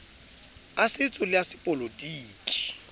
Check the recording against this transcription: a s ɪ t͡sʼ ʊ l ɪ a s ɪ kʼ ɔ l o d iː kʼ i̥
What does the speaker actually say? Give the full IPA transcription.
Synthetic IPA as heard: a s ɪ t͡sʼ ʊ l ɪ a s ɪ pʼ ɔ l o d iː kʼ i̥

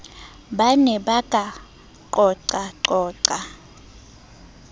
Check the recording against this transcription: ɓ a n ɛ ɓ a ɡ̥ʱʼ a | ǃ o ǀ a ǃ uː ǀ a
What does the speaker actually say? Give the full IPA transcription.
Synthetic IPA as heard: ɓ a n ɛ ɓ a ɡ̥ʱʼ a | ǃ ɔ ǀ a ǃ ɔː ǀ a

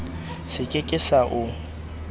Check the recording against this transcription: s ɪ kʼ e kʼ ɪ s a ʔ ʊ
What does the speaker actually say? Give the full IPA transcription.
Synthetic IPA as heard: s ɪ kʼ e kʼ ɪ s a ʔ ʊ

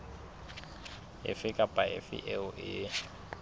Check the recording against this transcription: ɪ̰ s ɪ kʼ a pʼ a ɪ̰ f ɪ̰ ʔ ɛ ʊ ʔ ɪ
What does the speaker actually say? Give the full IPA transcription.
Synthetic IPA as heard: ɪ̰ f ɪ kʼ a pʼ a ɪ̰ f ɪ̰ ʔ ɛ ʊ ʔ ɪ

